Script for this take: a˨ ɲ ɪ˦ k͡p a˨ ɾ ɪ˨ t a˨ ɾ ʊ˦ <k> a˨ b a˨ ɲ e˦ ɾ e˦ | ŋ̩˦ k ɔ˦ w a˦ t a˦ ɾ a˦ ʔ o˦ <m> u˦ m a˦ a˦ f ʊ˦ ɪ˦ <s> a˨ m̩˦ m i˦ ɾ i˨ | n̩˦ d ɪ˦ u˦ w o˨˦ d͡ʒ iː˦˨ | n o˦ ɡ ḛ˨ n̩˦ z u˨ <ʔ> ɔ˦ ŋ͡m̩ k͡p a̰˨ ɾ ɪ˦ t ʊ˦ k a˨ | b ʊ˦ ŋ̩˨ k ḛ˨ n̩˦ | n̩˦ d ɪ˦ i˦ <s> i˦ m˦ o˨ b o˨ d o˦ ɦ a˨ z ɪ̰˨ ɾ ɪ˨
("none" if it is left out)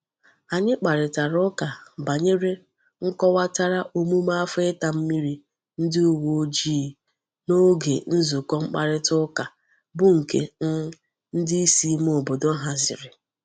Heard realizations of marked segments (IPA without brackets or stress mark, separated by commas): k, m, t, k, s